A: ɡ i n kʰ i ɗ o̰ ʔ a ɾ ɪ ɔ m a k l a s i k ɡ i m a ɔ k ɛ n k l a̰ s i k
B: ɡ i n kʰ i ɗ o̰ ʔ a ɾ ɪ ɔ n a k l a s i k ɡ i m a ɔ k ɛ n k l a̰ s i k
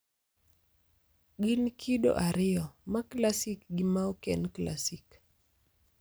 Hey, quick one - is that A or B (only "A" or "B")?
A